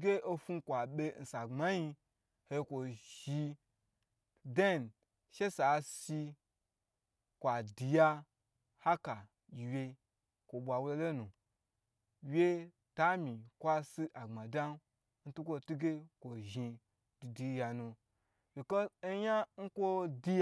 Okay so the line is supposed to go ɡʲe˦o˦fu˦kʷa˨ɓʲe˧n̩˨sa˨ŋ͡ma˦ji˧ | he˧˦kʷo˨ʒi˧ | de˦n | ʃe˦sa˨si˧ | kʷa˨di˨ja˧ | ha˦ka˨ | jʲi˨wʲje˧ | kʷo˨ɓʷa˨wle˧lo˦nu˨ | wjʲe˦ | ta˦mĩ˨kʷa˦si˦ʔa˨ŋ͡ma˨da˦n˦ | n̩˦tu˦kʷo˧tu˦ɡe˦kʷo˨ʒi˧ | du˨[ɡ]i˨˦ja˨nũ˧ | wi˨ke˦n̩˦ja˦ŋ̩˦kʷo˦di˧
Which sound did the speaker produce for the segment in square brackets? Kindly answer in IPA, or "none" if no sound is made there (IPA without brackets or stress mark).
d